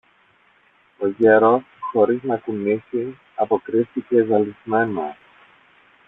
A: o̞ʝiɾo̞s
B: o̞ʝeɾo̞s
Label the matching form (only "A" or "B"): B